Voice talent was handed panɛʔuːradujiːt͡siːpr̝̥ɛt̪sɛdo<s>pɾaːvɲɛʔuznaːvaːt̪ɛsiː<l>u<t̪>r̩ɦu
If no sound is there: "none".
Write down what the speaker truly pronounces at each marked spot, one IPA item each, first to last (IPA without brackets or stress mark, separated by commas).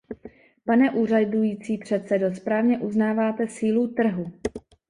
s, l, t̪